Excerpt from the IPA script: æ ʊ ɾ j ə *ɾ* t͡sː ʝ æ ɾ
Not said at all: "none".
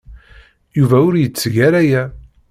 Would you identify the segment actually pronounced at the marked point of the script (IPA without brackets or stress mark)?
none